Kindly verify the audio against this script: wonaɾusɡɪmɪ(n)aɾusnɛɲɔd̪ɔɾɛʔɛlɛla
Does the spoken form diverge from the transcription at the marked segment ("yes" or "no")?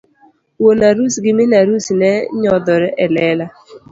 no